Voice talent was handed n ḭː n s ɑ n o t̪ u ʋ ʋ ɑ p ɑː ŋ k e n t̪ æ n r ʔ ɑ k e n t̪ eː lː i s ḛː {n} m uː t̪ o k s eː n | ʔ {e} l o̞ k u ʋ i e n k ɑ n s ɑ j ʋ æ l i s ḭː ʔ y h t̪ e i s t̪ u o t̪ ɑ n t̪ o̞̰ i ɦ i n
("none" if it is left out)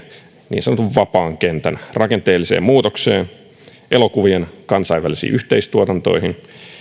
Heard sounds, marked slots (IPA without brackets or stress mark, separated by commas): m, e